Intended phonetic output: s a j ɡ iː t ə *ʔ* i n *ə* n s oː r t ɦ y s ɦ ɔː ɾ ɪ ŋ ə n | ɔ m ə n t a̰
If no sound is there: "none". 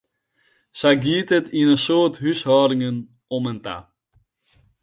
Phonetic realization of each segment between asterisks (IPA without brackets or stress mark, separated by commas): t, ə